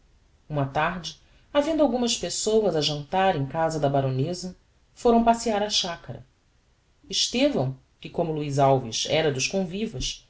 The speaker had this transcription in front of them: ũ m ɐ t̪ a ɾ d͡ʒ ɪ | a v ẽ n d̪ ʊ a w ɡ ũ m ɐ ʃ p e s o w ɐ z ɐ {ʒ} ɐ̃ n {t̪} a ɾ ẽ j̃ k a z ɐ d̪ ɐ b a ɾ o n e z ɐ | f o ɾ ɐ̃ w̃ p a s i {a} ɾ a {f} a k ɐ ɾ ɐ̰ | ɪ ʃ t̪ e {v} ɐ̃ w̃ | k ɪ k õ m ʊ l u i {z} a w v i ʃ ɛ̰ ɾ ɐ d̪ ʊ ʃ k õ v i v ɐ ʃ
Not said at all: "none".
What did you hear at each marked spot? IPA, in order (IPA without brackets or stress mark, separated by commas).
ʒ, t̪, a, ʃ, v, z